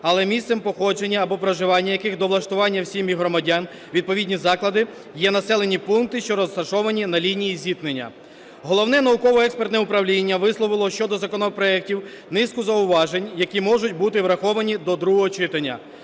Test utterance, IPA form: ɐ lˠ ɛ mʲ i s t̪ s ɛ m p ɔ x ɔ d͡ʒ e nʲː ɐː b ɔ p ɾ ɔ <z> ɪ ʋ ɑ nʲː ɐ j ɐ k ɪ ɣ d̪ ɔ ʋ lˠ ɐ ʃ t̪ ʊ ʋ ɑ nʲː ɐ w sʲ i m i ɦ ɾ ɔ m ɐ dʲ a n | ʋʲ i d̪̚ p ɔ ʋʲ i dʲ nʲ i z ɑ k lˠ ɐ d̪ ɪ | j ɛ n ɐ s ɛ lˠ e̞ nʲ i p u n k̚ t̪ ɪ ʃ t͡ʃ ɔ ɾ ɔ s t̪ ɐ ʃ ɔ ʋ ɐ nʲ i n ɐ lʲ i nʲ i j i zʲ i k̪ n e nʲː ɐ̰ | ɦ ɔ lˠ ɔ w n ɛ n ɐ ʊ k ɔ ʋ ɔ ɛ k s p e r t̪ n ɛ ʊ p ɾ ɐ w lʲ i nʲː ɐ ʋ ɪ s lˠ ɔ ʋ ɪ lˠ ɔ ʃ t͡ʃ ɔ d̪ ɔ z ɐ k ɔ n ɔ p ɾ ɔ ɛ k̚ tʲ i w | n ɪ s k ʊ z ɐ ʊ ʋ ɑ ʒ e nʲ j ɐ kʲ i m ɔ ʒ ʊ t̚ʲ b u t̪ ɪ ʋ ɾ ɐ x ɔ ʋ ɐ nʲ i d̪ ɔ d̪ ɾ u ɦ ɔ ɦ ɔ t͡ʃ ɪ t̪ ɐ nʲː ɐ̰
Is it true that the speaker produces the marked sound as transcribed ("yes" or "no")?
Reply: no